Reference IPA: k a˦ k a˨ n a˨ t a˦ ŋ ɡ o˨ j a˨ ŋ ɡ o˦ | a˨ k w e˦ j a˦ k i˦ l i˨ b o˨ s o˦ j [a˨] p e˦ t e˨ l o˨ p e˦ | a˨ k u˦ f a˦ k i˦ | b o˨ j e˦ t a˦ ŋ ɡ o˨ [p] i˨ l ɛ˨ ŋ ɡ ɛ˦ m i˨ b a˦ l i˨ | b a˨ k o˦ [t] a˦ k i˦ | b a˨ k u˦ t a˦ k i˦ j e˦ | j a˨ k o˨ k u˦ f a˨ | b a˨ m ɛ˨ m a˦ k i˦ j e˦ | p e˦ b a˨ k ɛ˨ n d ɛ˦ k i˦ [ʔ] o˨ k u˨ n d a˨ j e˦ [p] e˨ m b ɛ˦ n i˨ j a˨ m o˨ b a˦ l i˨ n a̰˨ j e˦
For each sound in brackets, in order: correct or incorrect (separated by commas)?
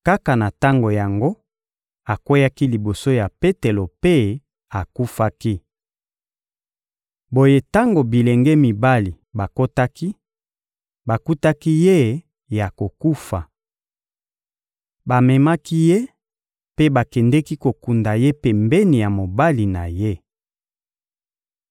correct, incorrect, correct, incorrect, correct